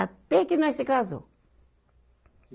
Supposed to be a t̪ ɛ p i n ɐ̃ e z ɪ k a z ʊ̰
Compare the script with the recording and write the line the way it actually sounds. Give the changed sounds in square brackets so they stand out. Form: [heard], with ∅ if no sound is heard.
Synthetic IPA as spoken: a t̪ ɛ [k] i n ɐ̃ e [s] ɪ k a z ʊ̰